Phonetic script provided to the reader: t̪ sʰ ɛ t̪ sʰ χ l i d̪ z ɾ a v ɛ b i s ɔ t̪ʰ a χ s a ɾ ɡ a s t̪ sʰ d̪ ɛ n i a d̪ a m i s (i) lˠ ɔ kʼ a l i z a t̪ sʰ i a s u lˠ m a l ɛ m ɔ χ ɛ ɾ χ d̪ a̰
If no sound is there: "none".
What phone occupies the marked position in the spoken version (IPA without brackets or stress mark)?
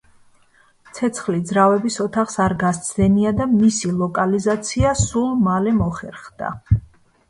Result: i